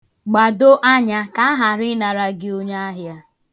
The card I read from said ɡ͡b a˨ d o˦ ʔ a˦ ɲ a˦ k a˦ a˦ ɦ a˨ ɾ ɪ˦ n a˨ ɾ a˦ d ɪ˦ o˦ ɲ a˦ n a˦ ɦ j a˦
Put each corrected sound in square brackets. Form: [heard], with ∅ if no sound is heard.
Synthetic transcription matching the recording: ɡ͡b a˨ d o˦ ʔ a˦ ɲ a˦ k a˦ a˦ ɦ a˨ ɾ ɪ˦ n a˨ ɾ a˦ [ɡ] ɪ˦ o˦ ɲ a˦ [∅] a˦ ɦ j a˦